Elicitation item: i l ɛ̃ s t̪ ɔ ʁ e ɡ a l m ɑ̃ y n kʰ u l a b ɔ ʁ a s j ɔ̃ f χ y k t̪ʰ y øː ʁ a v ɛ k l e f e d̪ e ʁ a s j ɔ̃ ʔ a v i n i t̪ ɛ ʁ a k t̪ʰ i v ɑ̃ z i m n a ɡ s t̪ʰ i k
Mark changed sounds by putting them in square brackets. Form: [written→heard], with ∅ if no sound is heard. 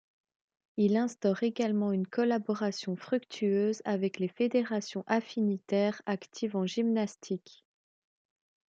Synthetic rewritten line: i l ɛ̃ s t̪ ɔ ʁ e ɡ a l m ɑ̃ y n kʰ [u→ɔ] l a b ɔ ʁ a s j ɔ̃ f χ y k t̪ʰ y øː [ʁ→z] a v ɛ k l e f e d̪ e ʁ a s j ɔ̃ ʔ a [v→f] i n i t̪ ɛ ʁ a k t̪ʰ i v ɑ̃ [z→ʒ] i m n a [ɡ→∅] s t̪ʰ i k